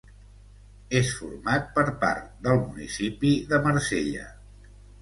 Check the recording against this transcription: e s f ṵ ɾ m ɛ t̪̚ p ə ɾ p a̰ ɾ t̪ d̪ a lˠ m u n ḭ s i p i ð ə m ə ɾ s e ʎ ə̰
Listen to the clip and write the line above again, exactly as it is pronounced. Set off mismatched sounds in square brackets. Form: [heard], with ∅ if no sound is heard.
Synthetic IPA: e s f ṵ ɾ m [a] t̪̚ p ə ɾ p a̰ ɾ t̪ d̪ [ə] lˠ m u n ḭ s i p i ð ə m ə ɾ s e ʎ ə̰